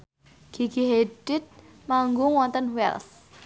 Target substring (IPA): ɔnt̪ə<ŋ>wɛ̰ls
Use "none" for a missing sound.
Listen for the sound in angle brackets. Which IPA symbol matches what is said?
n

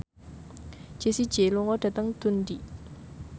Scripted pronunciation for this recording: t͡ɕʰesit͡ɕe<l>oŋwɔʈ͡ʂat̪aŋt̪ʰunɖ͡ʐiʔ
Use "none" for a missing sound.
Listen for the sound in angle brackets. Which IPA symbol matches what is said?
l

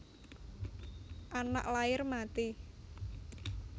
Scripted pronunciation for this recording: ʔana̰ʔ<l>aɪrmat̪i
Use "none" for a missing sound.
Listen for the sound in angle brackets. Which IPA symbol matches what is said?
l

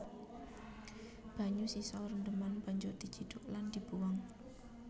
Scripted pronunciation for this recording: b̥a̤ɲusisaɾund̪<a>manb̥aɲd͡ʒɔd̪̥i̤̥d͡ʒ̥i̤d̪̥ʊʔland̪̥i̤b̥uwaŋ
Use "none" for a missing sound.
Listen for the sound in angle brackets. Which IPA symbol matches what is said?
ə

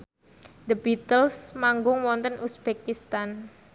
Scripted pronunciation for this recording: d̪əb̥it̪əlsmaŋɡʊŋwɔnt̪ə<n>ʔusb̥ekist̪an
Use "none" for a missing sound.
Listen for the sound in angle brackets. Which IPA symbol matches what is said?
n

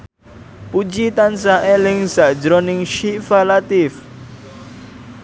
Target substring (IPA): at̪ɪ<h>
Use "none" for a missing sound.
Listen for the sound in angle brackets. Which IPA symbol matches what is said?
f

